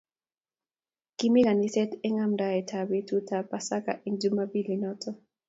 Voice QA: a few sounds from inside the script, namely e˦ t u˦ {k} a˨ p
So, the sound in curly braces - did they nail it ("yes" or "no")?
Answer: no